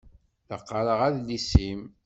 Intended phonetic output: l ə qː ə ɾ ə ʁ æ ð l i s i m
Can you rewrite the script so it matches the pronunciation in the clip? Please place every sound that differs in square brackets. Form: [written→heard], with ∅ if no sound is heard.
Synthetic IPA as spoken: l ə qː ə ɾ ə ʁ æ ð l i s i m

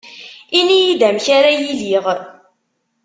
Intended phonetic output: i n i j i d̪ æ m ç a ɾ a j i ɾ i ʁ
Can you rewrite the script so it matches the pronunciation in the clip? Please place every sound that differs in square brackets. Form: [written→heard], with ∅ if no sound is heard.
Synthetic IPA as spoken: i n i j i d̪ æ m ç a ɾ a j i [ɾ→l] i ʁ

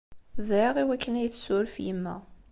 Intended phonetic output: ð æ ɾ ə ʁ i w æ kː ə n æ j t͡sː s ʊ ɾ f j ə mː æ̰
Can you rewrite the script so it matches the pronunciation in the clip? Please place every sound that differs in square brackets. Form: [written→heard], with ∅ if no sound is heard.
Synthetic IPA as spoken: ð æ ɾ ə ʁ i w æ kː ə n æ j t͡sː s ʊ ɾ f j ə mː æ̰

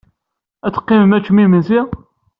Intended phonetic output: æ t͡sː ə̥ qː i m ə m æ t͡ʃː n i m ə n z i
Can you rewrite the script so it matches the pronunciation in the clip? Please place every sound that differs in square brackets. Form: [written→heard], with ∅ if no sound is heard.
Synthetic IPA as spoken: æ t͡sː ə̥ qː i m ə m æ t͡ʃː [n→m] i m ə n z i

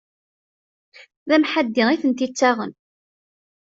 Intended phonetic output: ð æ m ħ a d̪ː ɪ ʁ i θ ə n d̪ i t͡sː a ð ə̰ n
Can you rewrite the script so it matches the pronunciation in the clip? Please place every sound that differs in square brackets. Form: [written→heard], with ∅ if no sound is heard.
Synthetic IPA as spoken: ð æ m ħ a d̪ː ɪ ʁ i θ ə n [d̪→t̪] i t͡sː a [ð→ʁ] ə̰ n

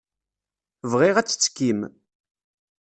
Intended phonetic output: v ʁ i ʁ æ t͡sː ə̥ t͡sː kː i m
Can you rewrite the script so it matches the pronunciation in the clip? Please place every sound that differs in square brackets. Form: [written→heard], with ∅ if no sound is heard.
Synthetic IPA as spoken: v ʁ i ʁ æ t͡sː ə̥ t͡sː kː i m

